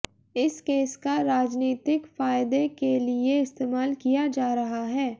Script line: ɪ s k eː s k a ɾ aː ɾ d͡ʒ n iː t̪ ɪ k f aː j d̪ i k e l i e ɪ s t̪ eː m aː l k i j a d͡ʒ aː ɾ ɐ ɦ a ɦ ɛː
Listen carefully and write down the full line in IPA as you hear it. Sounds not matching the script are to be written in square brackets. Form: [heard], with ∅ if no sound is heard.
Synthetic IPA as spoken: ɪ s k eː s k a ɾ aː [∅] d͡ʒ n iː t̪ ɪ k f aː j d̪ [e] k e l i e ɪ s t̪ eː m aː l k i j a d͡ʒ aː ɾ ɐ ɦ a ɦ ɛː